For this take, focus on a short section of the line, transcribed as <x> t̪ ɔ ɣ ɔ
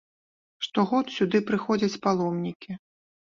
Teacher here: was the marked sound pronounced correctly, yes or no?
no